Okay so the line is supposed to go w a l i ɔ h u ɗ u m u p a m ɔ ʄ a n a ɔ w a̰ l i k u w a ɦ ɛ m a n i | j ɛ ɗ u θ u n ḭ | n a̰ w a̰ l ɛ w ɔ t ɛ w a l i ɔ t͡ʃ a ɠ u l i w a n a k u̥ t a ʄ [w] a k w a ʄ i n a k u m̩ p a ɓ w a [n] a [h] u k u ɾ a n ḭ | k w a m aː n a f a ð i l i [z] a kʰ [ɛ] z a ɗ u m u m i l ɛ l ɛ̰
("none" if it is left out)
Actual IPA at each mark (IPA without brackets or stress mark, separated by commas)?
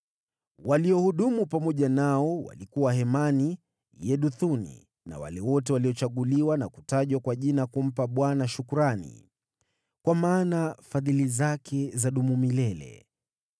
w, n, ʃ, z, ɛ